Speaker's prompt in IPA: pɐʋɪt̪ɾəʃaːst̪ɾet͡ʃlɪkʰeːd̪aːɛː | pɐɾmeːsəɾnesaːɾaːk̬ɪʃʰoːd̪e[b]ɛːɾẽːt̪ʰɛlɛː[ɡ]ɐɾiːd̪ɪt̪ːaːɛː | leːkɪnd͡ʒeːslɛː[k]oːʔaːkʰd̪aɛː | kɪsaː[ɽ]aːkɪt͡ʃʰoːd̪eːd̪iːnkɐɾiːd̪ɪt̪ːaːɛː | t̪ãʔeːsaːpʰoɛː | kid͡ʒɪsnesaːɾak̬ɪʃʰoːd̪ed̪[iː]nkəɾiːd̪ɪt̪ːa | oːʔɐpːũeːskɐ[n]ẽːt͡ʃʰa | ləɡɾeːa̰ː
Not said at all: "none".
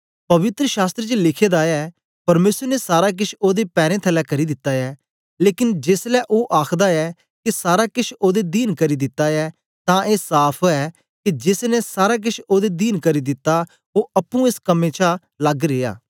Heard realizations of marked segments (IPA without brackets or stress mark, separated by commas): p, k, ʔ, ɾ, iː, m